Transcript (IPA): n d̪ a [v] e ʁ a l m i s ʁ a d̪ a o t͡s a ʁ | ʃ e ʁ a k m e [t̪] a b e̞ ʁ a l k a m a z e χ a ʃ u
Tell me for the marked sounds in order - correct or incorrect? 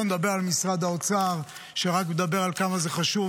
incorrect, incorrect

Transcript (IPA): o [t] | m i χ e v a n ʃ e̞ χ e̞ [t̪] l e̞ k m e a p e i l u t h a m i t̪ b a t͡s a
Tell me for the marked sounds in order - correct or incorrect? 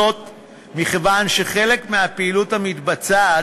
correct, incorrect

